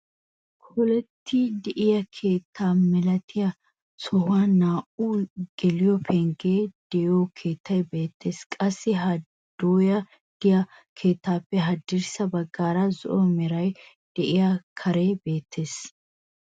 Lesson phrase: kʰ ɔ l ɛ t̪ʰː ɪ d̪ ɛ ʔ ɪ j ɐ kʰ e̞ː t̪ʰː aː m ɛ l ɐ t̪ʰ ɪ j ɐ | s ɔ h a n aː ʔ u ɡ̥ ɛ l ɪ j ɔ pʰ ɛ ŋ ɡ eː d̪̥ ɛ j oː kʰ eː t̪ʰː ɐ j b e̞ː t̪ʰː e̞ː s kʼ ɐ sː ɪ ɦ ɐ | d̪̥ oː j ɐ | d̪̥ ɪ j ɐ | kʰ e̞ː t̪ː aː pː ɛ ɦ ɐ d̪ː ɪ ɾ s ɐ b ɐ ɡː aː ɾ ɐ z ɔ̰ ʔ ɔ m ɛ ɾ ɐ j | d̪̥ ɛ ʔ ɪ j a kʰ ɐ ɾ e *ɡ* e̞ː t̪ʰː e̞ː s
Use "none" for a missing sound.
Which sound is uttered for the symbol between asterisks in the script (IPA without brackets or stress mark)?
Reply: b